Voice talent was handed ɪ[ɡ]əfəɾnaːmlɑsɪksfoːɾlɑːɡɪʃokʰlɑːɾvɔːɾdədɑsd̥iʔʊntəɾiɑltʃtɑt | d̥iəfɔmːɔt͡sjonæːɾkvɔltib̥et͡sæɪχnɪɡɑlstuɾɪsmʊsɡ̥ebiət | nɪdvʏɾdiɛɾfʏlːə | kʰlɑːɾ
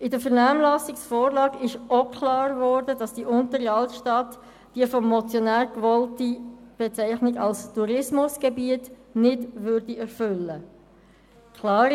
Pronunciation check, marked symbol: incorrect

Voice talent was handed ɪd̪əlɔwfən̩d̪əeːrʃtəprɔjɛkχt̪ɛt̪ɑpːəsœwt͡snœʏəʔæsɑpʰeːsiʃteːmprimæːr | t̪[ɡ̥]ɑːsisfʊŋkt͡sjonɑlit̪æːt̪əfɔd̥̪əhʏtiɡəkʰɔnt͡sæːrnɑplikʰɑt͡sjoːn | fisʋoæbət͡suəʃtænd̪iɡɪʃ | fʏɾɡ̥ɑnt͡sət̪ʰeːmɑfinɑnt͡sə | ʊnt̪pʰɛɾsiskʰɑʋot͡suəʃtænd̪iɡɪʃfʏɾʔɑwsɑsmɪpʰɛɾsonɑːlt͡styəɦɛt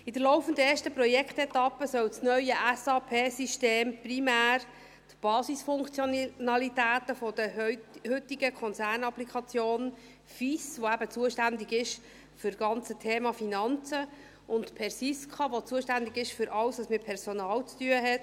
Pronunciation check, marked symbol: incorrect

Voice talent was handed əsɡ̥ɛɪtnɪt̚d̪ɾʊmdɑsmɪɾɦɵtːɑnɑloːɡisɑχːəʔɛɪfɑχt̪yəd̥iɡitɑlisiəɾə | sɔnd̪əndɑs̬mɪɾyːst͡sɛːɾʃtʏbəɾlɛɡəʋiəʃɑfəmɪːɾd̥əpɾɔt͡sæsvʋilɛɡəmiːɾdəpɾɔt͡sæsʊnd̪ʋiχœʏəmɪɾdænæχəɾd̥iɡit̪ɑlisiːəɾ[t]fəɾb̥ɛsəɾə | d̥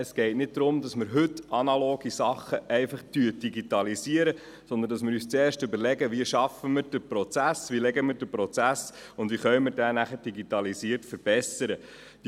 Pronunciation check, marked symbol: correct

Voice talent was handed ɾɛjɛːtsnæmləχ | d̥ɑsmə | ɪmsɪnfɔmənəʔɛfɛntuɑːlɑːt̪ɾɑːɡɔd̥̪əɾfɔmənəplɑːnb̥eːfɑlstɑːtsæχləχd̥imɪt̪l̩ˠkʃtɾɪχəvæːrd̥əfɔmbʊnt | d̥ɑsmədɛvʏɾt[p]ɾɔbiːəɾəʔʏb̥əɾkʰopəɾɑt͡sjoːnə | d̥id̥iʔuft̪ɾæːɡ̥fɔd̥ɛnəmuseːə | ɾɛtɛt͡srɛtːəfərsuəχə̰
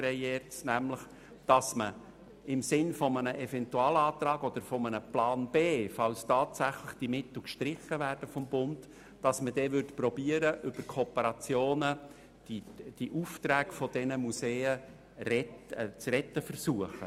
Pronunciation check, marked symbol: correct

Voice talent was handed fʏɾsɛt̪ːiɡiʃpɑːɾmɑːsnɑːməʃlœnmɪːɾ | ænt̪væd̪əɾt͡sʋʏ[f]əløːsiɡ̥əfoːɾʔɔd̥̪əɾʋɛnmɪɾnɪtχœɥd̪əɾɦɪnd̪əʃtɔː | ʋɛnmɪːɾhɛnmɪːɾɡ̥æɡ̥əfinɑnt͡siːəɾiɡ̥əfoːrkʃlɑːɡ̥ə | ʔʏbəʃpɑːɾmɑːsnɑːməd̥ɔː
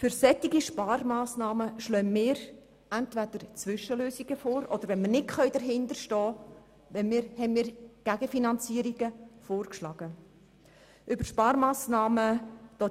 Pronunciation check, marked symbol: incorrect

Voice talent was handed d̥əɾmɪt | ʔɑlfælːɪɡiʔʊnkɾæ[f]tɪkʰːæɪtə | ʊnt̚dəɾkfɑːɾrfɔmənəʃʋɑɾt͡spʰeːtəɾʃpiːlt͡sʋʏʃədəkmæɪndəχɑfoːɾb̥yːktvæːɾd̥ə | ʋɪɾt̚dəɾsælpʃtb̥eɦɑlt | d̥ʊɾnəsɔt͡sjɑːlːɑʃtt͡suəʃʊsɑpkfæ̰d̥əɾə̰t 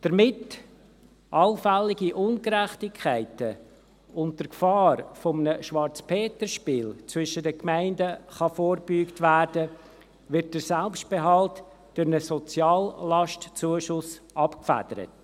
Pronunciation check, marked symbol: incorrect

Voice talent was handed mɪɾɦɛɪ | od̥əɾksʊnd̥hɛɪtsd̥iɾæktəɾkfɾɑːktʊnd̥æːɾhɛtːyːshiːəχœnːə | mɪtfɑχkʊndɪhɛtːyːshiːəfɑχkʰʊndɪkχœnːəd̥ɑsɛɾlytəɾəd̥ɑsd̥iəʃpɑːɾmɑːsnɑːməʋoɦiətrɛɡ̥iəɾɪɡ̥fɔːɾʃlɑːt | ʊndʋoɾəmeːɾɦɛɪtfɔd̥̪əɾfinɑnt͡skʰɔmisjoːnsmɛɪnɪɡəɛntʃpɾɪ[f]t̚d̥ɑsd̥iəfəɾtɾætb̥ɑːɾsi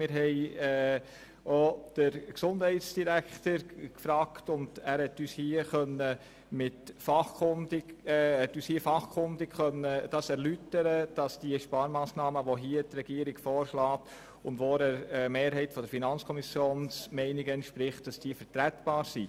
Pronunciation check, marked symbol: incorrect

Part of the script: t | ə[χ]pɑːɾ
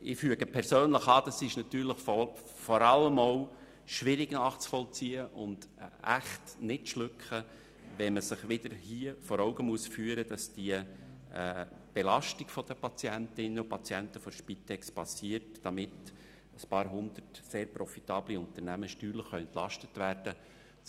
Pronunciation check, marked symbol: incorrect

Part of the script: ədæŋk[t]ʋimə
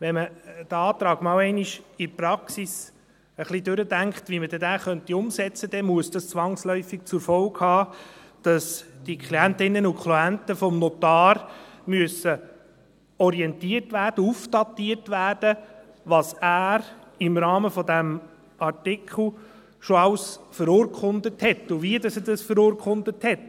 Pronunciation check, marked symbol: correct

